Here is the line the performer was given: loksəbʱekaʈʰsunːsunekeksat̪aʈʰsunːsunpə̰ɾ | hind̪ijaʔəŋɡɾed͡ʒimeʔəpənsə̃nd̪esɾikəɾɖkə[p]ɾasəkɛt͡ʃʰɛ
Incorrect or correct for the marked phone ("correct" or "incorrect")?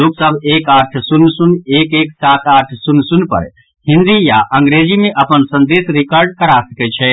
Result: incorrect